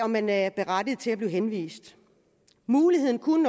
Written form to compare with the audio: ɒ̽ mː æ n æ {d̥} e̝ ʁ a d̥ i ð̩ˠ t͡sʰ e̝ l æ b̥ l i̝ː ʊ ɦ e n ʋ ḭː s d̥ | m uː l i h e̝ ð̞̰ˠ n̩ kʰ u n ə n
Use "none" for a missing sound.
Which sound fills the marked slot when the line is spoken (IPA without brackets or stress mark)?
b̥